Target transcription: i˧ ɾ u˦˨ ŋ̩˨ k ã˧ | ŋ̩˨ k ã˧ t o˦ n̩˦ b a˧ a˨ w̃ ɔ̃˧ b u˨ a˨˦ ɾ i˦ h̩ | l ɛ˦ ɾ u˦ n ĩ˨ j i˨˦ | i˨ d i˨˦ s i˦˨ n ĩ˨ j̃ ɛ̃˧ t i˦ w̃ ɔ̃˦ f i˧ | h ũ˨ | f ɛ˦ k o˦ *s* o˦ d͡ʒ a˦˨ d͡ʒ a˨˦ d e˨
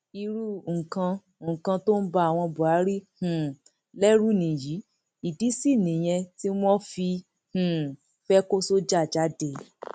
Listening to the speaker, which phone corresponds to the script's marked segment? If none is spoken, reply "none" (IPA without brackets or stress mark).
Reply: s